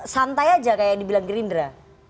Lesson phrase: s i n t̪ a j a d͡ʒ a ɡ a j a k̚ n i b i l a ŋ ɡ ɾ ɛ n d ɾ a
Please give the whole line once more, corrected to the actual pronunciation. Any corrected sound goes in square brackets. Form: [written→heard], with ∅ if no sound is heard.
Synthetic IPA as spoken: s [i→a] n t̪ a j a d͡ʒ a [ɡ→k] a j a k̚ [n→d] i b i l a ŋ ɡ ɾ [ɛ→i] n d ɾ a